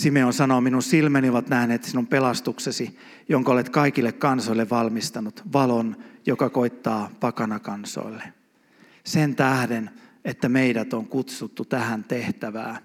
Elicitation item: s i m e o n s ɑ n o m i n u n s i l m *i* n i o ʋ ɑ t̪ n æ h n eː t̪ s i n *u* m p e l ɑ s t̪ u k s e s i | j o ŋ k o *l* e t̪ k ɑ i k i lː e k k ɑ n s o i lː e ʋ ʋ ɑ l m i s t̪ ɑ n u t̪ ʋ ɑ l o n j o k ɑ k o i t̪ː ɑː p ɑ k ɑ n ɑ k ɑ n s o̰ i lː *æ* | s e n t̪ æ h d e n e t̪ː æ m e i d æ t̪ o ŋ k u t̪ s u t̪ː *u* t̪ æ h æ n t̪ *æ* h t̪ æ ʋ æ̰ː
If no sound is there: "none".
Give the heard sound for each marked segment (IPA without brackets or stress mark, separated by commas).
æ, u, l, e, u, e